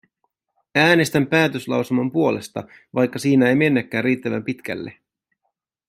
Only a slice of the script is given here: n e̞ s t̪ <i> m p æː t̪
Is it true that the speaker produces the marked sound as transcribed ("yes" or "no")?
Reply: no